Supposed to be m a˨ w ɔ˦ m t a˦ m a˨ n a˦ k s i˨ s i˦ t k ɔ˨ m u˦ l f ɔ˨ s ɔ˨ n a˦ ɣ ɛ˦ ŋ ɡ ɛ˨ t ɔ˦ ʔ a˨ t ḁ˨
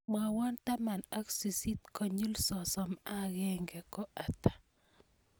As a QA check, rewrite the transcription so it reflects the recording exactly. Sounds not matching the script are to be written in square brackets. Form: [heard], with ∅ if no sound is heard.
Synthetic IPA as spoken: m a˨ w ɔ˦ [n] t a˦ m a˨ n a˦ k s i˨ s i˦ t k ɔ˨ [ɲ] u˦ l [s] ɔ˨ s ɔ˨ [m] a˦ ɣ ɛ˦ ŋ ɡ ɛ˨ [k] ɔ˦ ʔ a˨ t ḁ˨

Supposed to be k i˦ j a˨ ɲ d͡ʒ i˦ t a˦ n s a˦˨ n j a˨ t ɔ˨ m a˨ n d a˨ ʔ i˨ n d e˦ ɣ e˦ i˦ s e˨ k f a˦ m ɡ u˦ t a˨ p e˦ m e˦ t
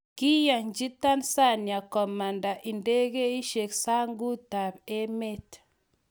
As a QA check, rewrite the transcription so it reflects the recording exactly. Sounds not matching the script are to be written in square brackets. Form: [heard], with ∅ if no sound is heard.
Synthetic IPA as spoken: k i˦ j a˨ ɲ d͡ʒ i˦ t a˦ n s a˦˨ n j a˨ [k] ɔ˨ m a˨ n d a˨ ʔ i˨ n d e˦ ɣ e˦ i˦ [ʃ] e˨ k [s] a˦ [ŋ] ɡ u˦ t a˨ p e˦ m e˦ t

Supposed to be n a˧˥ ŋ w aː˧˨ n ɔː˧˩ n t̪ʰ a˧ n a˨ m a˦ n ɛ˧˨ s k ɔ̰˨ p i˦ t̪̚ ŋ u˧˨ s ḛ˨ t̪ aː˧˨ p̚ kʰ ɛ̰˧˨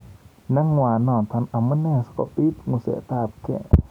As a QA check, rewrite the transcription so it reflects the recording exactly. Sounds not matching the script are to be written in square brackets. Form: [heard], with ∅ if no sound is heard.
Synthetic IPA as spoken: n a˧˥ ŋ w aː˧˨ n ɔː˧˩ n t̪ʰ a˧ n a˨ m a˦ n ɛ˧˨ s k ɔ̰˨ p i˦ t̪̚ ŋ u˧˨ s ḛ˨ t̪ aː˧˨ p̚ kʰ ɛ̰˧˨

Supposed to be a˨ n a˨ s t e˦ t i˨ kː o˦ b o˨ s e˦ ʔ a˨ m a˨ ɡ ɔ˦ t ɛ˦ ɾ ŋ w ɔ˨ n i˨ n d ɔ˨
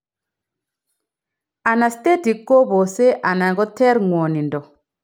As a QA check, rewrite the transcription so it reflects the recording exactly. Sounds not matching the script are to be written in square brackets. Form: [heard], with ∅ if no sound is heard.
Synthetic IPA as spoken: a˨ n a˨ s t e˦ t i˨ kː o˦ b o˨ s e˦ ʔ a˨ [n] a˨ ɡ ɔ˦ t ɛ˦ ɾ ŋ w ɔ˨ n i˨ n d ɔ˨

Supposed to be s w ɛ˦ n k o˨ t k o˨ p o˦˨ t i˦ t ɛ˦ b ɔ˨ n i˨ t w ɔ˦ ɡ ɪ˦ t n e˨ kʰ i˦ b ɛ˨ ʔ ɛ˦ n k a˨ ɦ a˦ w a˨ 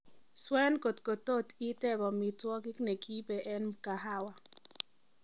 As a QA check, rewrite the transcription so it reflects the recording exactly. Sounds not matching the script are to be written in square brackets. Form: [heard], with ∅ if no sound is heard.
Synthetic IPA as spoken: s w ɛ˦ n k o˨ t k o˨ [t] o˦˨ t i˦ t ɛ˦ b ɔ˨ [m] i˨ t w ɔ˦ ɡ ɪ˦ [k] n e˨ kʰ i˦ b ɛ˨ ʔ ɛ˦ n k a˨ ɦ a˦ w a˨

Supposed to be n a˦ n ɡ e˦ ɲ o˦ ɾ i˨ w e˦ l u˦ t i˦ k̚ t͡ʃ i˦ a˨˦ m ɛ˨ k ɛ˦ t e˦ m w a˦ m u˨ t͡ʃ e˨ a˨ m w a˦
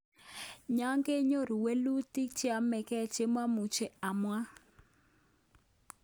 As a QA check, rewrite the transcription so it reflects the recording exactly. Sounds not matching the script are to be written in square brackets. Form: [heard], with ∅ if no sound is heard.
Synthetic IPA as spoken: [ɲ] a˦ [ŋ] ɡ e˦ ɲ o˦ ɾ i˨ w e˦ l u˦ t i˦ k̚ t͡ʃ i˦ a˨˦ m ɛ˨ k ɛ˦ [t͡ʃ] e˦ m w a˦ m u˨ t͡ʃ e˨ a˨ m w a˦

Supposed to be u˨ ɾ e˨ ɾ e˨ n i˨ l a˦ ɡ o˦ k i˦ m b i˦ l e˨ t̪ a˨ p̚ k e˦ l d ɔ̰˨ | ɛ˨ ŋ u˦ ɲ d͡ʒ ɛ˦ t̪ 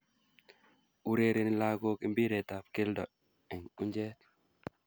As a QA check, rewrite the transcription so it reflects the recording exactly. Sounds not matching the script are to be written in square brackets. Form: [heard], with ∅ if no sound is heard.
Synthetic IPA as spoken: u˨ ɾ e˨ ɾ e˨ n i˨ l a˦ ɡ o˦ k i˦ m b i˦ [ɾ] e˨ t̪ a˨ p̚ k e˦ l d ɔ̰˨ | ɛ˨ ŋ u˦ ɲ d͡ʒ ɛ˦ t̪

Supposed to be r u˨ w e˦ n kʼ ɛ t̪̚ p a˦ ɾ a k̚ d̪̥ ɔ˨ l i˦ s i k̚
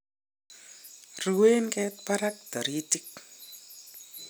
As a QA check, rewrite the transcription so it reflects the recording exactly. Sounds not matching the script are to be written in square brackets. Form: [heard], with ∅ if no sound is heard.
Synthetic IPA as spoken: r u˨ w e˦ n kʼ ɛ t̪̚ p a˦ ɾ a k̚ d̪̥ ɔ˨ [ɾ] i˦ [t] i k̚

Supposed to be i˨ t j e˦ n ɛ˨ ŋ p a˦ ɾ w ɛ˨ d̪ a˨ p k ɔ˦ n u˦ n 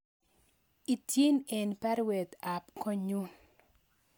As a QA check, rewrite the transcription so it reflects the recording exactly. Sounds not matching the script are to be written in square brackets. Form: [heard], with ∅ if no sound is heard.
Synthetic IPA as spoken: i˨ t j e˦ n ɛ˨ [n] p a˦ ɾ w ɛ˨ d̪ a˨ p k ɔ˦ [ɲ] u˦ n

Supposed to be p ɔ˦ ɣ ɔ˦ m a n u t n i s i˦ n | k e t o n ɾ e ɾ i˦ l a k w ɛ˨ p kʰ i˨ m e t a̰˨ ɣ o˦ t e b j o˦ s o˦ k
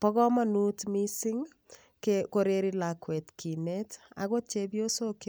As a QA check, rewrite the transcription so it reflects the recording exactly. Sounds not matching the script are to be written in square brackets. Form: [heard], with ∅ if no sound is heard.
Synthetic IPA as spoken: p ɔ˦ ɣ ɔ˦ m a n u t [m] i s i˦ [ŋ] | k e [k] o [∅] ɾ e ɾ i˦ l a k w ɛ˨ [t] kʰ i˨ [n] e t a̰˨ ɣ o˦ [t͡ʃ] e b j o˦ s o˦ k

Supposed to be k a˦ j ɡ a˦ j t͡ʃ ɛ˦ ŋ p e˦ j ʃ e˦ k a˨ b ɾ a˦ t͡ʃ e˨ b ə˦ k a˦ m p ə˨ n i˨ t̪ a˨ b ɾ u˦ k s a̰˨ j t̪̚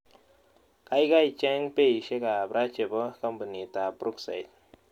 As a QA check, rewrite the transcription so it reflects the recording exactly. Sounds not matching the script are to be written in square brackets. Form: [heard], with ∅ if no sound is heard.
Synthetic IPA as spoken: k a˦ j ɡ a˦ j t͡ʃ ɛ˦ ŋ p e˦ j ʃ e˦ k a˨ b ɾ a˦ t͡ʃ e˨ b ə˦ k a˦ m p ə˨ n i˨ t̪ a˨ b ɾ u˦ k s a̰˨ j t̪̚

